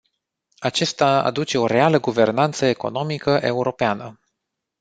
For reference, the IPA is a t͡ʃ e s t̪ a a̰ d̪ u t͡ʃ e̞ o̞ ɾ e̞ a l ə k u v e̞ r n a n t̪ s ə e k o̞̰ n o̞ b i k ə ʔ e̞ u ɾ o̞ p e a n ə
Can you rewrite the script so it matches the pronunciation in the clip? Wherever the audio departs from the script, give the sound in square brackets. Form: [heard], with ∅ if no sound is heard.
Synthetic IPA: a t͡ʃ e s t̪ a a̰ d̪ u t͡ʃ e̞ o̞ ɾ e̞ a l ə [ɡ] u v e̞ r n a n t̪ s ə e k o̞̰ n o̞ [m] i k ə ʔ e̞ u ɾ o̞ p e a n ə